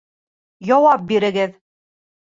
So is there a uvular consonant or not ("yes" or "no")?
no